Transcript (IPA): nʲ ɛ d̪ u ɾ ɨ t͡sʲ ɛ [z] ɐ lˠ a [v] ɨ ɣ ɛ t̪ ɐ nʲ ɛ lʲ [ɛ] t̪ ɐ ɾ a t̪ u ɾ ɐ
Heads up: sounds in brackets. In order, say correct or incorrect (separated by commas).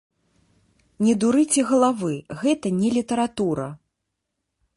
incorrect, correct, incorrect